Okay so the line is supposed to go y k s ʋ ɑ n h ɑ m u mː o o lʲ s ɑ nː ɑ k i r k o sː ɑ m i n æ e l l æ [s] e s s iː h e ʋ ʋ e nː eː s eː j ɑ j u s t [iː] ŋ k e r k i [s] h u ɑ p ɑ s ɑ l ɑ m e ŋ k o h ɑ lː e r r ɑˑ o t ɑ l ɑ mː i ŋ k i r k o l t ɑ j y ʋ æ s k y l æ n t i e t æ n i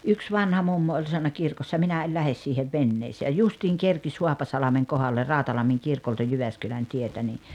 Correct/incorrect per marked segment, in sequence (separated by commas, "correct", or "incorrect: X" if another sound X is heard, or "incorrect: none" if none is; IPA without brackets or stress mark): incorrect: h, correct, correct